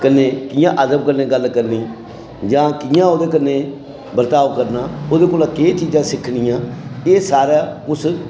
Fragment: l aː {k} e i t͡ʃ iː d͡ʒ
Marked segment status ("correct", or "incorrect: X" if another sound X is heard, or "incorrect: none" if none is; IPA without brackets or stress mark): correct